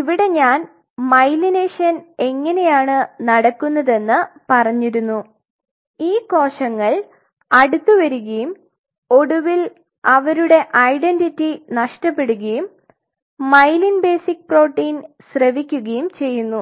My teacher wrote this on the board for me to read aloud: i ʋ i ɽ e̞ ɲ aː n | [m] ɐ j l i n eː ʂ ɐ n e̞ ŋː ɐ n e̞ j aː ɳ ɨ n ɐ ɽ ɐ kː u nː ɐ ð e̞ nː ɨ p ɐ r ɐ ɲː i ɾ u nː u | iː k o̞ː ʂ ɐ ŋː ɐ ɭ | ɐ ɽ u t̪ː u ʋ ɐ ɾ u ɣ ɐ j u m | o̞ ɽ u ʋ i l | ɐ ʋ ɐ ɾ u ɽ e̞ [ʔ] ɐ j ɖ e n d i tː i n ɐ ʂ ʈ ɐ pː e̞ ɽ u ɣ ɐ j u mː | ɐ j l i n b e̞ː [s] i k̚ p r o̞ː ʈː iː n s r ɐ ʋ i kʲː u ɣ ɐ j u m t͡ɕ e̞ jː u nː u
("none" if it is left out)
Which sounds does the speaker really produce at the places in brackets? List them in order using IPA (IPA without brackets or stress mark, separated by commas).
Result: m, ʔ, s